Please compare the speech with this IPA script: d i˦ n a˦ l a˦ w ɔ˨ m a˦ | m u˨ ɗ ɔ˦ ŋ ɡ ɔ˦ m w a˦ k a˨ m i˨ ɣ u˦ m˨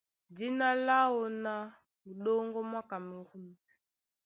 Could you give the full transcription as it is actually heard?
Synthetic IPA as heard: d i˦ n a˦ l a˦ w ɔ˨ n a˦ | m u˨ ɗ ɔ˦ ŋ ɡ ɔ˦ m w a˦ k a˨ m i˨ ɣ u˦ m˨